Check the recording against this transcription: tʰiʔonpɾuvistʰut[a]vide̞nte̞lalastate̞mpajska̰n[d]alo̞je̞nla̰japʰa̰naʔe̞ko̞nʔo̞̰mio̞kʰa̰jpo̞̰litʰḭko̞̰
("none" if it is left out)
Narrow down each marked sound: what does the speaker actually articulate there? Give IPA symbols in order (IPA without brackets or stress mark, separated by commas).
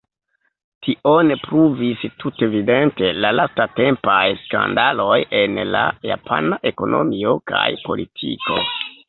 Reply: e, d